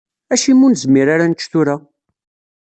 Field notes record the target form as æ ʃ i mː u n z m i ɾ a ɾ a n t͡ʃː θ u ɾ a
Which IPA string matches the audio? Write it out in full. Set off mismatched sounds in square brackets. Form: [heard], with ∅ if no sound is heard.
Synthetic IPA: æ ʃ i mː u n z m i ɾ a ɾ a n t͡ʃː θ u ɾ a